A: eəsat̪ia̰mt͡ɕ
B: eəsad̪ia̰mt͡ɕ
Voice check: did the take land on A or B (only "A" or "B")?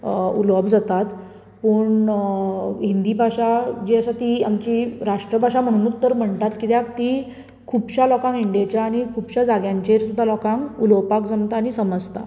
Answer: A